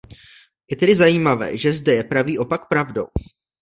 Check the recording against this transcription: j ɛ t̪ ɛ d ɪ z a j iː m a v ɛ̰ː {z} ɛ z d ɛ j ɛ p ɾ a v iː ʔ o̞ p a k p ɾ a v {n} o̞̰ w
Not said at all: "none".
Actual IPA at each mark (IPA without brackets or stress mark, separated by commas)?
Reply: ʒ, d